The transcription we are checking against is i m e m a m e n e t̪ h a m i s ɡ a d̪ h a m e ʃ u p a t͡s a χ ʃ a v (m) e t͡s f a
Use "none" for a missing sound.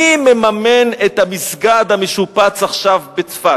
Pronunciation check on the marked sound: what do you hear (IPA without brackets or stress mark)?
b